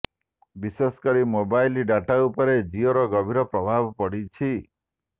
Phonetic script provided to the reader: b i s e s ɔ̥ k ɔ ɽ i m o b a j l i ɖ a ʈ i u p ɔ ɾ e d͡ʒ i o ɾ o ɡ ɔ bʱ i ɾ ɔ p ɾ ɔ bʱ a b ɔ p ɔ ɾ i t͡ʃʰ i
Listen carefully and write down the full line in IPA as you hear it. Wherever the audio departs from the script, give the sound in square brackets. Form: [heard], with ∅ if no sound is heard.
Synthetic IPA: b i s e s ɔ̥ k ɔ [ɾ] i m o b a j l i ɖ a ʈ [a] u p ɔ ɾ e d͡ʒ i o ɾ [ɔ] ɡ ɔ bʱ i ɾ ɔ p ɾ ɔ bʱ a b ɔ p ɔ [ɽ] i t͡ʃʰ i